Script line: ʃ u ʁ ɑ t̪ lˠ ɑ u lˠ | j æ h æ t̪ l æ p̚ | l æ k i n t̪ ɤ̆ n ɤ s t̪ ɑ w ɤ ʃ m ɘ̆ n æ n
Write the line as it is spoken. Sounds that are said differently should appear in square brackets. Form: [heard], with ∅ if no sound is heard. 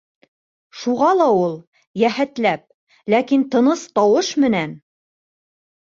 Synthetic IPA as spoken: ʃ u ʁ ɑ [∅] lˠ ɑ u lˠ | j æ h æ t̪ l æ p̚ | l æ k i n t̪ ɤ̆ n ɤ s t̪ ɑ w ɤ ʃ m ɘ̆ n æ n